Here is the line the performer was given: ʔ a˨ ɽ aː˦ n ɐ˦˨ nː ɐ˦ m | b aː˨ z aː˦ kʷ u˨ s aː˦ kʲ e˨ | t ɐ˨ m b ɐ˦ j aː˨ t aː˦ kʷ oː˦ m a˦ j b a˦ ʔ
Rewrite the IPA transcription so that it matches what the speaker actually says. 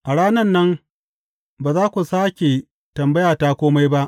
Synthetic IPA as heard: ʔ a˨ ɽ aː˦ n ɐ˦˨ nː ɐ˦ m | b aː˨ z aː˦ kʷ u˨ s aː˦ kʲ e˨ | t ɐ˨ m b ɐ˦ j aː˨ t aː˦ kʷ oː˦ m a˦ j b a˦ ʔ